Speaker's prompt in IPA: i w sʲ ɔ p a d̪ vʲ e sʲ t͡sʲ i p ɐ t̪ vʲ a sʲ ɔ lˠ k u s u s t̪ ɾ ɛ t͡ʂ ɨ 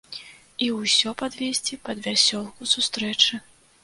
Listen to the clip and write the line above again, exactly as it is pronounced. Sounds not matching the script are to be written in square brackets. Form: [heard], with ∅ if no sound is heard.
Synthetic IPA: i w sʲ ɔ p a d̪ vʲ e sʲ t͡sʲ i p ɐ [d̪] vʲ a sʲ ɔ lˠ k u s u s t̪ ɾ ɛ t͡ʂ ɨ